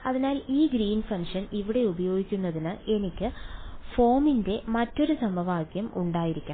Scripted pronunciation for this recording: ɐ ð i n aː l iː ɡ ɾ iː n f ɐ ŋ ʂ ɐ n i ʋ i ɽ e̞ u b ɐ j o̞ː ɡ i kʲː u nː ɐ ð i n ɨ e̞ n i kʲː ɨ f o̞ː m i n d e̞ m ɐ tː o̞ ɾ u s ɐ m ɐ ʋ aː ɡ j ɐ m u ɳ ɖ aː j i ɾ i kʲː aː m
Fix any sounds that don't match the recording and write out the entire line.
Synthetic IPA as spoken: ɐ ð i n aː l iː ɡ ɾ iː n f ɐ ŋ ʂ ɐ n i ʋ i ɽ e̞ u b ɐ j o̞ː ɡ i kʲː u nː ɐ ð i n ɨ e̞ n i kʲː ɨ f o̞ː m i n d e̞ m ɐ tː o̞ ɾ u s ɐ m ɐ ʋ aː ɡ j ɐ m u ɳ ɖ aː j i ɾ i kʲː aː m

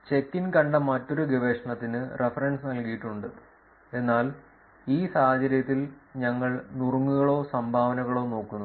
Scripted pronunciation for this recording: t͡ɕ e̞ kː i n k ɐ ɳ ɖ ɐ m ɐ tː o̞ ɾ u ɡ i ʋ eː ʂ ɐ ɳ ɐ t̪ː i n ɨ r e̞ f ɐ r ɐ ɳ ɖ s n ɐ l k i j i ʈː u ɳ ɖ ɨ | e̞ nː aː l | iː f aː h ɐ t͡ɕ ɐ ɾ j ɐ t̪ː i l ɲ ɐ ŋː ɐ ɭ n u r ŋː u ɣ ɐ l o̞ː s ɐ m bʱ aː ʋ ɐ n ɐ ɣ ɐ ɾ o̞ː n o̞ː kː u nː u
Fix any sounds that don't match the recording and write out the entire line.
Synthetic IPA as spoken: t͡ɕ e̞ kː i n k ɐ ɳ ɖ ɐ m ɐ tː o̞ ɾ u ɡ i ʋ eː ʂ ɐ ɳ ɐ t̪ː i n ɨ r e̞ f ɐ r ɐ ɳ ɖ s n ɐ l k i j i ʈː u ɳ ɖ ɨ | e̞ nː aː l | iː s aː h ɐ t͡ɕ ɐ ɾ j ɐ t̪ː i l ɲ ɐ ŋː ɐ ɭ n u r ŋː u ɣ ɐ ɭ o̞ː s ɐ m bʱ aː ʋ ɐ n ɐ ɣ ɐ ɭ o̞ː n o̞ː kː u nː u

